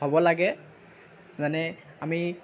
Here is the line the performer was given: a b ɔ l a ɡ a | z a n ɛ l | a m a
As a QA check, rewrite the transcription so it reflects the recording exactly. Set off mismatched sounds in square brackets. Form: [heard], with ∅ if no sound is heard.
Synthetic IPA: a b ɔ l a ɡ [ɛ] | z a n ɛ [∅] | a m [i]